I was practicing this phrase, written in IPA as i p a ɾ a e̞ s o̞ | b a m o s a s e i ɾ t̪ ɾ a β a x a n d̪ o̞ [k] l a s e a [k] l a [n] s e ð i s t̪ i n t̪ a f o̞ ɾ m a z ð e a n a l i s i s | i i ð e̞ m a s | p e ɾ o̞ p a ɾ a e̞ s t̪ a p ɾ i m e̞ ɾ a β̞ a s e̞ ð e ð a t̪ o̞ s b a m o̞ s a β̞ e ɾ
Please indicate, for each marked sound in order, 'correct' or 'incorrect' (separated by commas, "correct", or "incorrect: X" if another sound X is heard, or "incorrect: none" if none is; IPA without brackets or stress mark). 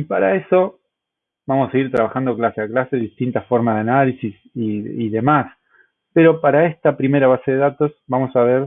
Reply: correct, correct, incorrect: none